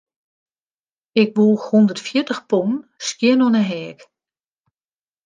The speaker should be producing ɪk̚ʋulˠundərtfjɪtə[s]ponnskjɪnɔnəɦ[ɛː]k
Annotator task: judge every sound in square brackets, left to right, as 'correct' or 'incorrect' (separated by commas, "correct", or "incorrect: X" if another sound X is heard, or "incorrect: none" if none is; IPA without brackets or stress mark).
incorrect: x, correct